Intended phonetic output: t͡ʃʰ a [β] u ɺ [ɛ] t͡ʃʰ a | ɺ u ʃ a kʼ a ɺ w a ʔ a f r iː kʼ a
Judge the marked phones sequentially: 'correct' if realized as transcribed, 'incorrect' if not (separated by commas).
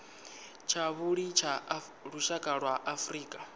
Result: correct, incorrect